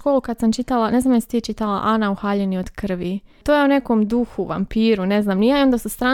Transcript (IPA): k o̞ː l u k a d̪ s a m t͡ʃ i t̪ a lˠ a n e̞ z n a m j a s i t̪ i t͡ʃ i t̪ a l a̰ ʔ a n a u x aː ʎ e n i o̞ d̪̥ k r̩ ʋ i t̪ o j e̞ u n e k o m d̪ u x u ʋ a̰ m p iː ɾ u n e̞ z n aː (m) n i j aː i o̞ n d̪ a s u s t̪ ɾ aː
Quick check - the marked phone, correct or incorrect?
correct